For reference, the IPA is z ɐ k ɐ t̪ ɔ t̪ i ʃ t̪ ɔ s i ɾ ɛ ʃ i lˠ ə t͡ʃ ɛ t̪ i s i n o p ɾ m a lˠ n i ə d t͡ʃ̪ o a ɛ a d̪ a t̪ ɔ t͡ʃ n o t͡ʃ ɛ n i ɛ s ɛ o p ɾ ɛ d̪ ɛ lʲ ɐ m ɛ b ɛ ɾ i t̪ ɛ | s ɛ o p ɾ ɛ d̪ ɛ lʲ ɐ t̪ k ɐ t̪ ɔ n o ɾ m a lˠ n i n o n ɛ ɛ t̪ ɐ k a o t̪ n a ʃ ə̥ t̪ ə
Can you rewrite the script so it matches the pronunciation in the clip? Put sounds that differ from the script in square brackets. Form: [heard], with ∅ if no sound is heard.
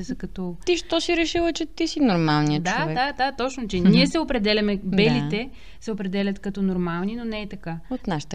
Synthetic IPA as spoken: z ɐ k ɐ t̪ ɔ t̪ i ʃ t̪ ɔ s i ɾ ɛ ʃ i lˠ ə t͡ʃ ɛ t̪ i s i n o [∅] ɾ m a lˠ n i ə d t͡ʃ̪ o a ɛ a d̪ a t̪ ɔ t͡ʃ n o t͡ʃ ɛ n i ɛ s ɛ o p ɾ ɛ d̪ ɛ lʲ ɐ m ɛ b ɛ [l] i t̪ ɛ | s ɛ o p ɾ ɛ d̪ ɛ lʲ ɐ t̪ k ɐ t̪ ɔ n o ɾ m a lˠ n i n o n ɛ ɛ t̪ ɐ k a o t̪ n a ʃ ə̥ t̪ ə